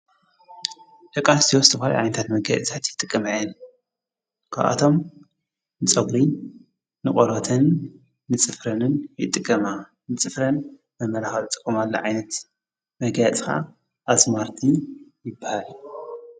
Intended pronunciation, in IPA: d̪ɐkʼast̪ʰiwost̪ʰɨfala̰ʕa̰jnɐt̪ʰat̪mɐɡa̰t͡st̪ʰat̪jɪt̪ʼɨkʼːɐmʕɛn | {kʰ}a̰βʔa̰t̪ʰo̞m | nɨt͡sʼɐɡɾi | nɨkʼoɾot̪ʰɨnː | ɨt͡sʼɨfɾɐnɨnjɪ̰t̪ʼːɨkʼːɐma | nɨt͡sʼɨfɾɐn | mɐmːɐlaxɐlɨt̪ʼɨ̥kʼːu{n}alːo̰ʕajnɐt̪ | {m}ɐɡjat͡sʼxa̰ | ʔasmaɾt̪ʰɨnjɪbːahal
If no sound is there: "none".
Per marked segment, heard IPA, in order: kʰ, m, m

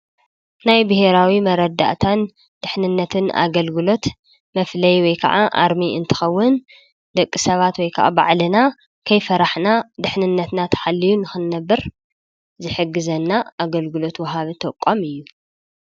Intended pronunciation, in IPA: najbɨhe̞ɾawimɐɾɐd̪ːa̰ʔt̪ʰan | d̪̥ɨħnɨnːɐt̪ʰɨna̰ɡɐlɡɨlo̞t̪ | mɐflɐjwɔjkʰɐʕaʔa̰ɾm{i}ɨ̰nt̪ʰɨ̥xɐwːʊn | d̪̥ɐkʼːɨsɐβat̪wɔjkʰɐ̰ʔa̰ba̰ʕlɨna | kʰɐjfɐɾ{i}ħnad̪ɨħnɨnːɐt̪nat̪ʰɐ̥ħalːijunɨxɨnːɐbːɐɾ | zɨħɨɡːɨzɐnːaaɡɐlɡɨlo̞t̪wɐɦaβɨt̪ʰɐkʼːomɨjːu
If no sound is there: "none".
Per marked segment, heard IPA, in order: i, a

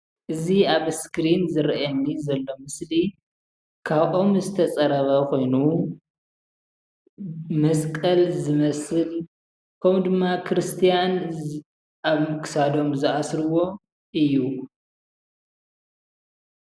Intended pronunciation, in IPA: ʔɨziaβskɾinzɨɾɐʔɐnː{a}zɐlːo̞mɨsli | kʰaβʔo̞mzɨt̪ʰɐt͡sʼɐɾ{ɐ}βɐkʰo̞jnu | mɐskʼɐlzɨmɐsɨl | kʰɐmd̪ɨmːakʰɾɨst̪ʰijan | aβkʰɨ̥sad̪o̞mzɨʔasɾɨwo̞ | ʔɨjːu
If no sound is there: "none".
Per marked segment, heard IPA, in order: i, ɐ

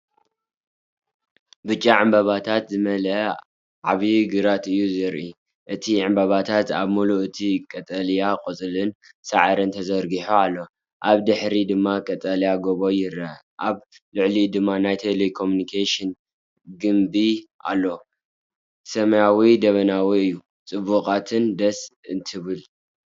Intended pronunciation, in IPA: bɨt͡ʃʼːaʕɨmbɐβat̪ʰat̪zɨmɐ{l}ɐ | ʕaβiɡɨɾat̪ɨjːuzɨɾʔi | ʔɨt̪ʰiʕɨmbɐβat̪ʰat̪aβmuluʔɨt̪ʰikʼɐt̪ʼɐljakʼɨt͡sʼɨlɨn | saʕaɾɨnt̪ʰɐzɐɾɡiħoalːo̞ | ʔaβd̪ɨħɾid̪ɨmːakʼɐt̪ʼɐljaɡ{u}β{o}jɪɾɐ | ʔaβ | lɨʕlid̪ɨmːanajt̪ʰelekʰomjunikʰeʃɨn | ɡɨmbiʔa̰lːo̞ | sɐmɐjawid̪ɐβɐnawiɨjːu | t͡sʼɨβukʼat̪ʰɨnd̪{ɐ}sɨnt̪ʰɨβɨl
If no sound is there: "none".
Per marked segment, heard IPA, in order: l, o, o, ɐ

